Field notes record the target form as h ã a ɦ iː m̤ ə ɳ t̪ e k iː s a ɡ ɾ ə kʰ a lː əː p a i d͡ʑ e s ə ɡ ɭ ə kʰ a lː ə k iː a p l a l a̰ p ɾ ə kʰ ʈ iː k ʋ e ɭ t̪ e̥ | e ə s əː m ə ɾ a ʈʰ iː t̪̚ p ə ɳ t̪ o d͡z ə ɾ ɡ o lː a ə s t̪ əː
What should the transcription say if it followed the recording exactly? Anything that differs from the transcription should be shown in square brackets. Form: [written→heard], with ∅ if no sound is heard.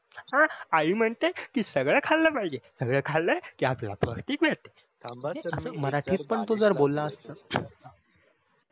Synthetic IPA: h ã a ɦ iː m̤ ə ɳ t̪ e k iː s [a→ə] ɡ [ɾ→ɭ] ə kʰ a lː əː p a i d͡ʑ e s ə ɡ ɭ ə kʰ a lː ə k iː a p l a l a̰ p ɾ ə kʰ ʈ iː k ʋ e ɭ t̪ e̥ | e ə s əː m ə ɾ a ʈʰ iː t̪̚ p ə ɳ t̪ o d͡z ə ɾ [ɡ→b] o lː a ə s t̪ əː